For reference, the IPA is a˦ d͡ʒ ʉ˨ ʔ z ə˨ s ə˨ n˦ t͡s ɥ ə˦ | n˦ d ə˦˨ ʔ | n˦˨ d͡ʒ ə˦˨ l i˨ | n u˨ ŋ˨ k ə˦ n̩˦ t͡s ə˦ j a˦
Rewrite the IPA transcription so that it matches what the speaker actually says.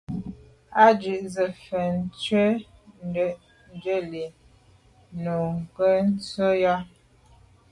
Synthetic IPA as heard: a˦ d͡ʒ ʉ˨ ʔ z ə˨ f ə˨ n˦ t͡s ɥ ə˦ | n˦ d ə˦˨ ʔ | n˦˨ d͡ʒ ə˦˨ l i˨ | n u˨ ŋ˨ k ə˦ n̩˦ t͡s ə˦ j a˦

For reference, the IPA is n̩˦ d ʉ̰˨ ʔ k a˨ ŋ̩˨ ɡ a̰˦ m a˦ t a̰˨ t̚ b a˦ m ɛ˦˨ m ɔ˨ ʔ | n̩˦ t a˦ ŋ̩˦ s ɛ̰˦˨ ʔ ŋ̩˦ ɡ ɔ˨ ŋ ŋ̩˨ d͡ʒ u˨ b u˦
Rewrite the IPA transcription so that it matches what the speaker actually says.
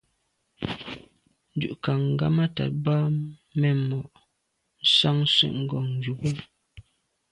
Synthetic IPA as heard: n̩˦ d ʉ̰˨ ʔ k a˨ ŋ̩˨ ɡ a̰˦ m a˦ t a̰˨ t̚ b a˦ m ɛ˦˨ m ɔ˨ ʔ | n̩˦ s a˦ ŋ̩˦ s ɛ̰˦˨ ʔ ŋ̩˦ ɡ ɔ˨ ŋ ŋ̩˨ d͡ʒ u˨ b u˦

